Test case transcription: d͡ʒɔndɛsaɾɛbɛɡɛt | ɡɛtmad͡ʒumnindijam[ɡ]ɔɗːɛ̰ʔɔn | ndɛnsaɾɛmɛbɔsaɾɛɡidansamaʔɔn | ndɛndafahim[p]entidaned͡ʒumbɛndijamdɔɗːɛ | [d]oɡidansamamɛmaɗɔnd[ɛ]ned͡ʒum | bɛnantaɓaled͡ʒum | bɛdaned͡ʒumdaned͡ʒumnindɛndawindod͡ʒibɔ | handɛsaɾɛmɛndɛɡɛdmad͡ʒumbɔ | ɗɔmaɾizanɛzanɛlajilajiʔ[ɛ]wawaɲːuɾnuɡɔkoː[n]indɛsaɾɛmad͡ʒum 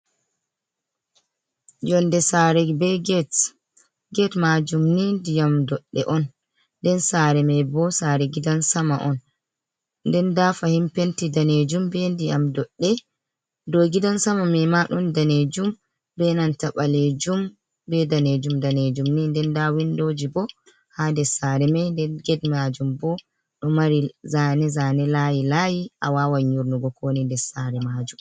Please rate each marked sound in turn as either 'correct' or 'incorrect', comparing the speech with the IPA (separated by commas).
incorrect, correct, correct, incorrect, incorrect, correct